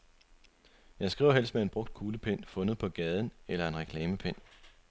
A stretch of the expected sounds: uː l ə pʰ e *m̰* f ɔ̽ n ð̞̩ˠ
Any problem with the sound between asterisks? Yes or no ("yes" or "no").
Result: yes